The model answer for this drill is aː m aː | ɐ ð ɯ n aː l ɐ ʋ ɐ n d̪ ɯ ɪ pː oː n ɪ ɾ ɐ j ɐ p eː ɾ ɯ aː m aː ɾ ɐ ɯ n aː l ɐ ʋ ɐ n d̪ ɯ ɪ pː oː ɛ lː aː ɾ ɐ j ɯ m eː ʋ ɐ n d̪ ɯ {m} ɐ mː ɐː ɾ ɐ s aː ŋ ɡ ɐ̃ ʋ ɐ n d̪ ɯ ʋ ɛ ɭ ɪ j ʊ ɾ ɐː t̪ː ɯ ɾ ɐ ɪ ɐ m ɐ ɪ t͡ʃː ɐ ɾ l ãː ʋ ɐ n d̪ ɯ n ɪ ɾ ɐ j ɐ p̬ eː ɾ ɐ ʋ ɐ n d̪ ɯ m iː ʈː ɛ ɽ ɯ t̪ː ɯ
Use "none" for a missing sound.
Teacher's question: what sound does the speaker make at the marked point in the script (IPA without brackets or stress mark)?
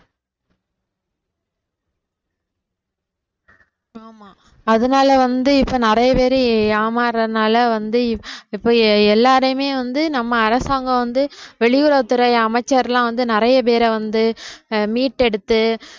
n